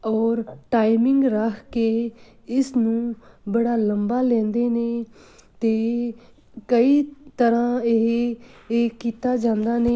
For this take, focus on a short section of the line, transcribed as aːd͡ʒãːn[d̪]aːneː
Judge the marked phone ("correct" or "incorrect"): correct